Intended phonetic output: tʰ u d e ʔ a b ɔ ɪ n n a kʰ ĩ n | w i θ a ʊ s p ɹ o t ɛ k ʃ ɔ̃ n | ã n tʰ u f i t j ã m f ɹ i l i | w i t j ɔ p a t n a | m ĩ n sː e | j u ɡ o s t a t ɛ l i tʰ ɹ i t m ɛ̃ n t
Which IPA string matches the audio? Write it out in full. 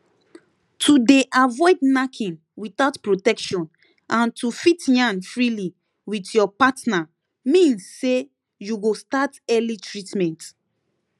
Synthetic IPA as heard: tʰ u d e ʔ a v ɔ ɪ d n a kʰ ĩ n | w i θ a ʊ t p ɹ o t ɛ k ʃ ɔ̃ n | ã n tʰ u f i t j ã n f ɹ i l i | w i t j ɔ p a t n a | m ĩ n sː e | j u ɡ o s t a t ɛ l i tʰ ɹ i t m ɛ̃ n t